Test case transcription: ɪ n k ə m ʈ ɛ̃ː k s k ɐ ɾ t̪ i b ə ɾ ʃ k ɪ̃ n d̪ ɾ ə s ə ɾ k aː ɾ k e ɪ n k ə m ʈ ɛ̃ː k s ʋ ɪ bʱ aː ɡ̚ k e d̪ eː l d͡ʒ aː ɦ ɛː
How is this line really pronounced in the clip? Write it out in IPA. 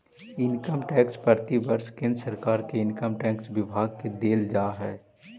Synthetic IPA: ɪ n k ə m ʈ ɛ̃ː k s p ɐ ɾ t̪ i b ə ɾ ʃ k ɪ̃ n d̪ ɾ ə s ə ɾ k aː ɾ k e ɪ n k ə m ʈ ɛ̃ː k s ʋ ɪ bʱ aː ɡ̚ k e d̪ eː l d͡ʒ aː ɦ ɛː